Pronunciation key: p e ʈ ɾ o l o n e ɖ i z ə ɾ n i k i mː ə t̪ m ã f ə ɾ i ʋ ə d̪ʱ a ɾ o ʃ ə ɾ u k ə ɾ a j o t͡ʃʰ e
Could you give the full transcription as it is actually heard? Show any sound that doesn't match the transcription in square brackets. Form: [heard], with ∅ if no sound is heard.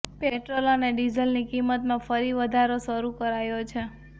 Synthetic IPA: p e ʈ ɾ o l o n e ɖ i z ə [l] n i k i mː ə t̪ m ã f ə ɾ i ʋ ə d̪ʱ a ɾ o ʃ ə ɾ u k ə ɾ a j o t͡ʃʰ e